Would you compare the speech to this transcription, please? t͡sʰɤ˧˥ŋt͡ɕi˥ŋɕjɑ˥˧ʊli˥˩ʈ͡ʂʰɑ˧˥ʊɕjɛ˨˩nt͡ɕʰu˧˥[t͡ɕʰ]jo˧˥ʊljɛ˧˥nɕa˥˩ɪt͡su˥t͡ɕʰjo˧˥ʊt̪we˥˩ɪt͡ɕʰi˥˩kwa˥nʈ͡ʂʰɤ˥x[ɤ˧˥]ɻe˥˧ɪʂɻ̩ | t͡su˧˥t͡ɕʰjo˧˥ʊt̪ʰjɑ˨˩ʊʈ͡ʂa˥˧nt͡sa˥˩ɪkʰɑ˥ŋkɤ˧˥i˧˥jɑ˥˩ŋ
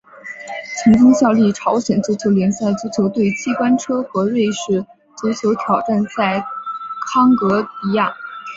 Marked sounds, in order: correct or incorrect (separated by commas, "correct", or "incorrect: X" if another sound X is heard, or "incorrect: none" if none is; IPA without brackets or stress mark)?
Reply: correct, correct